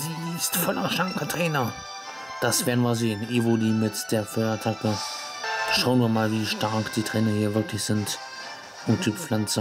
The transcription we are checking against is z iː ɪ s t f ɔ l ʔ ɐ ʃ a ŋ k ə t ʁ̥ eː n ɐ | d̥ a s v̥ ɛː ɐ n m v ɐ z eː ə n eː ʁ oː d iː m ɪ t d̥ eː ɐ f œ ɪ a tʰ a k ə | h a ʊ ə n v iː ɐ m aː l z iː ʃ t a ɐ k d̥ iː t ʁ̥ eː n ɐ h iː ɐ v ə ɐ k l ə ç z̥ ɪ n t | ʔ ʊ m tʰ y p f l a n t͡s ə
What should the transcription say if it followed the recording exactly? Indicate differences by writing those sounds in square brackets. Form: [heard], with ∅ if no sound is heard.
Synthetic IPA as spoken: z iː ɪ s t f ɔ l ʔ ɐ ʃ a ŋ k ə t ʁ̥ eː n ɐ | d̥ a s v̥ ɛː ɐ n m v ɐ z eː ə n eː [v] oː d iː m ɪ t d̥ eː ɐ f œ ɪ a tʰ a k ə | [ʃ] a ʊ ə n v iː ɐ m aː l [v] iː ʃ t a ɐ k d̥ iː t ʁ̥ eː n ɐ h iː ɐ v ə ɐ k l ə ç z̥ ɪ n t | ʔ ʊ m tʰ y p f l a n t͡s ə